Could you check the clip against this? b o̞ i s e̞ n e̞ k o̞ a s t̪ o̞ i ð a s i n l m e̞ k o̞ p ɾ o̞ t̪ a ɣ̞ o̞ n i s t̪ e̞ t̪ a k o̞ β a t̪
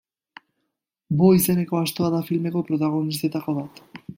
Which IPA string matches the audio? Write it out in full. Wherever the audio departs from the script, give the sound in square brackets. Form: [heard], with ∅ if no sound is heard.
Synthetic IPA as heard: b o̞ i s e̞ n e̞ k o̞ a s t̪ o̞ [a] ð a [f] i [∅] l m e̞ k o̞ p ɾ o̞ t̪ a ɣ̞ o̞ n i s t̪ e̞ t̪ a k o̞ β a t̪